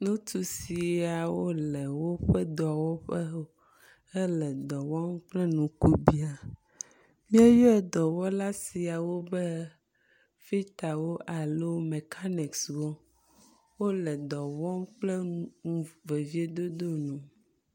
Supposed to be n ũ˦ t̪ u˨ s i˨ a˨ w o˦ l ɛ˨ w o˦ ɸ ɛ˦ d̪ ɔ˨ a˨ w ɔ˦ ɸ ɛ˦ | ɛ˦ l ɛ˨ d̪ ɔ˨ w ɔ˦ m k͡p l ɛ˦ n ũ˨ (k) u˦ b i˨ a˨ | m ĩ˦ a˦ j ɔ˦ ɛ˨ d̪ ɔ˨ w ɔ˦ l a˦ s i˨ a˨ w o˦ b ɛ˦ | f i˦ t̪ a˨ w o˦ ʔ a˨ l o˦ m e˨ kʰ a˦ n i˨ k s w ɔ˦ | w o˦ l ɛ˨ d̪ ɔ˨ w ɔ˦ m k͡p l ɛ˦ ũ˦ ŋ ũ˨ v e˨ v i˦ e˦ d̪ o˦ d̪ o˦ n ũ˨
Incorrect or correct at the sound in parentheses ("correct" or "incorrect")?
correct